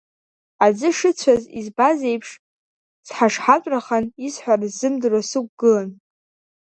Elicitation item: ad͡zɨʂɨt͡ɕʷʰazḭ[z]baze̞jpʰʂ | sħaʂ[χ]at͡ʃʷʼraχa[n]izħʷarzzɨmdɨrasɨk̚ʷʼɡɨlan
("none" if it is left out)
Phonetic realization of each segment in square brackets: z, ħ, n

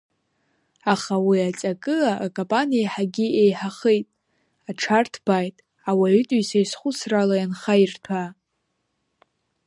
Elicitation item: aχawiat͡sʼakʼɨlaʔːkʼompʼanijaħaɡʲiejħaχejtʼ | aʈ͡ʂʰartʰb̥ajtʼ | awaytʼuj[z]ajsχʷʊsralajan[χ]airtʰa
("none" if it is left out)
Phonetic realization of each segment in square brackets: s, χ

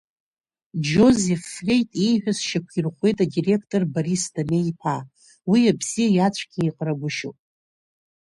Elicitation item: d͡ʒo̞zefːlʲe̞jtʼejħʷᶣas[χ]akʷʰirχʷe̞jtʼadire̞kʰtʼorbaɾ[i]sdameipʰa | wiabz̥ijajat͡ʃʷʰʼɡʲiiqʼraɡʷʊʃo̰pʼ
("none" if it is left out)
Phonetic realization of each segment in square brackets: ʃ, i

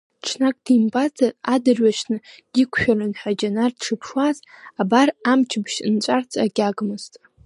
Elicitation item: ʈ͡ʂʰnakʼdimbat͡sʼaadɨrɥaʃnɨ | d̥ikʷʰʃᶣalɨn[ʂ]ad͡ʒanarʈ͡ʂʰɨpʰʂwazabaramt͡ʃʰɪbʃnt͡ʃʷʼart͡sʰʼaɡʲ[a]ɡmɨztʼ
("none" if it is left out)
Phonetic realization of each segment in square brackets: ħ, a

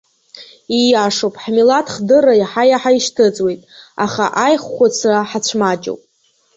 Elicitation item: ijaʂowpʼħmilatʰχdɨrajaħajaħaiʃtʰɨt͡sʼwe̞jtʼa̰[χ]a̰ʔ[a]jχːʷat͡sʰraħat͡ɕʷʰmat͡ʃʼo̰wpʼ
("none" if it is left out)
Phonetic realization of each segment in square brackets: χ, a

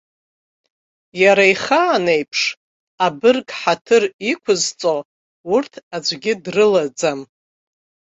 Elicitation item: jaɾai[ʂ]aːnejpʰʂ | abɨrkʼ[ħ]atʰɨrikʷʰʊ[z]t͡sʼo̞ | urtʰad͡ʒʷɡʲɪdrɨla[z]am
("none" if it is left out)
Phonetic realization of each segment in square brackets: χ, ħ, z, d͡z

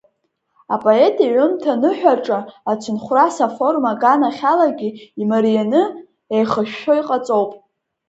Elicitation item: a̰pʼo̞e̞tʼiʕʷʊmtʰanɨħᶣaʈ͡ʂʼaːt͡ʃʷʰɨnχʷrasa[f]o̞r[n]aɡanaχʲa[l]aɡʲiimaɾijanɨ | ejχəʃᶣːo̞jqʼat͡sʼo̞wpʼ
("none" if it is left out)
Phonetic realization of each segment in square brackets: f, m, l

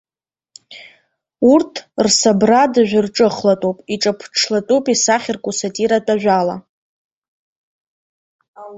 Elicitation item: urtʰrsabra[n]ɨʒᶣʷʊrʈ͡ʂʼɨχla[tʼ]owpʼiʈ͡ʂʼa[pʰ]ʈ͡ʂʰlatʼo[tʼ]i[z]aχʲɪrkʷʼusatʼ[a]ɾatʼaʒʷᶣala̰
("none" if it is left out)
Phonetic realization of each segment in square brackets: d, tʼ, pʰ, pʼ, s, i

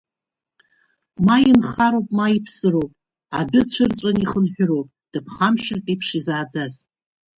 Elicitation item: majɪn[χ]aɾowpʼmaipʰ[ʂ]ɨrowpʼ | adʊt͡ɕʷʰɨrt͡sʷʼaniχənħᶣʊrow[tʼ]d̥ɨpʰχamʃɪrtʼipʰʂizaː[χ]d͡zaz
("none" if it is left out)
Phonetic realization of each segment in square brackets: χ, s, pʼ, none

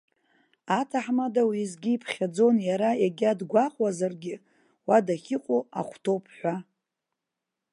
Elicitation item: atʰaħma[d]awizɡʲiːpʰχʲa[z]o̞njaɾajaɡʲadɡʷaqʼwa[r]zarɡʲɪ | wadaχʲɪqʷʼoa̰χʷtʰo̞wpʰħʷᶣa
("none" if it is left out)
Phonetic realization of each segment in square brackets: d, d͡z, none

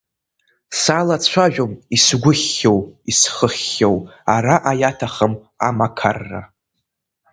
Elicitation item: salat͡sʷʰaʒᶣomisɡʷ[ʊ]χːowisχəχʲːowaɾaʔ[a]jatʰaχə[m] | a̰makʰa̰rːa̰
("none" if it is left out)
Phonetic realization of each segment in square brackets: ʊ, a, m

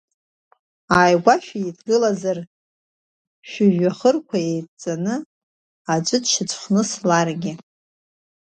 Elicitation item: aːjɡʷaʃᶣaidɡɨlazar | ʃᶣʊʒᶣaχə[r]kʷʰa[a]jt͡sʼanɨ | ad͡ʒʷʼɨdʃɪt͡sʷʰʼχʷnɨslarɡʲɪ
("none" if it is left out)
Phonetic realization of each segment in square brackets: r, e

